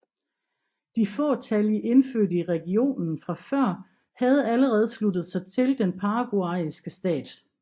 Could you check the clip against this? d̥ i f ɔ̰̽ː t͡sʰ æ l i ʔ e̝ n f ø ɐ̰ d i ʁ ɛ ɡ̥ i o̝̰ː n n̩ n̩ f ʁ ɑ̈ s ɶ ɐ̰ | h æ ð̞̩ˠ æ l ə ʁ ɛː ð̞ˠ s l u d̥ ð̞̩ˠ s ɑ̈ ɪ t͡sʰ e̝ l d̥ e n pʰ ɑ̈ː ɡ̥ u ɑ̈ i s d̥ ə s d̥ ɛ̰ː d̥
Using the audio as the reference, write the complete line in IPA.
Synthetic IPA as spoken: d̥ i f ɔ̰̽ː t͡sʰ æ l i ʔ e̝ n f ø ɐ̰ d i ʁ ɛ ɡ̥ i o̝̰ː n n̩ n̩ f ʁ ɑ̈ f ɶ ɐ̰ | h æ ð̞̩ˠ æ l ə ʁ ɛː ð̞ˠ s l u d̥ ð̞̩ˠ s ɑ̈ ɪ t͡sʰ e̝ l d̥ e n pʰ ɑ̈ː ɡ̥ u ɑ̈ i s ɡ̥ ə s d̥ ɛ̰ː d̥